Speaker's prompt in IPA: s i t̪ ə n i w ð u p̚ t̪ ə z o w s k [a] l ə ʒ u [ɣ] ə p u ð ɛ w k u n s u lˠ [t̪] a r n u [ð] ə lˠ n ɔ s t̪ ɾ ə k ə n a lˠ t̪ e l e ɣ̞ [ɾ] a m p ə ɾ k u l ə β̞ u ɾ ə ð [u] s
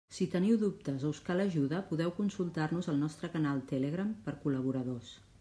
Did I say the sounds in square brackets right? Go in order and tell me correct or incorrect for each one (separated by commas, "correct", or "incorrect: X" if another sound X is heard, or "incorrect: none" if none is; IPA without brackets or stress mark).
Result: correct, incorrect: ð, correct, incorrect: z, correct, incorrect: o